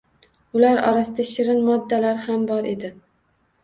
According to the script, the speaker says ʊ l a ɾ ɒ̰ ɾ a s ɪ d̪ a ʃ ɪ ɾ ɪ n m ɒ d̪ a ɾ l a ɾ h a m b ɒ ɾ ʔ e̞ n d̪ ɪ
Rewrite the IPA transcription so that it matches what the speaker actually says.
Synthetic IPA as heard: ʊ l a ɾ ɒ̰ ɾ a s ɪ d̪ a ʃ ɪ ɾ ɪ n m ɒ d̪ː a l a ɾ h a m b ɒ ɾ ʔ e̞ d̪ ɪ